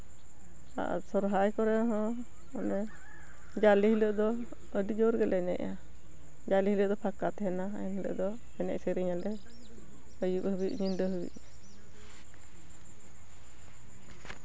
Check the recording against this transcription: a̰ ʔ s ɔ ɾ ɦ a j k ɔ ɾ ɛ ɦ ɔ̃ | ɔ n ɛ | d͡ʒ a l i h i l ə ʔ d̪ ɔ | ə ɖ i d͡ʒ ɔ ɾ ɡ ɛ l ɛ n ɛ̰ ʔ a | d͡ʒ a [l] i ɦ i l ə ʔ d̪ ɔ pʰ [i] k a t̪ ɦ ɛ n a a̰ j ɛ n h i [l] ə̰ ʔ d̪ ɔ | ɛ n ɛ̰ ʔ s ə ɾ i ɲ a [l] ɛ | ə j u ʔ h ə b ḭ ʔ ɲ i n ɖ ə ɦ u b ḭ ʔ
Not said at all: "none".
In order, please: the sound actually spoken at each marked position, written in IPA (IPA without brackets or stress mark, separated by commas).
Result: l, a, l, l